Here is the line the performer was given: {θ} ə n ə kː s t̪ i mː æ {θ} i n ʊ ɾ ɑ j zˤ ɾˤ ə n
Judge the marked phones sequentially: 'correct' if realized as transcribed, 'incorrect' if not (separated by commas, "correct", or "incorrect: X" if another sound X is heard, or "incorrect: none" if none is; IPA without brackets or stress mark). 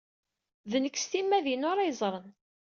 incorrect: ð, incorrect: ð